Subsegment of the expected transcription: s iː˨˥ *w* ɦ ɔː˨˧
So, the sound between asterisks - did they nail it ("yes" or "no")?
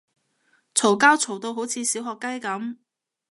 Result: yes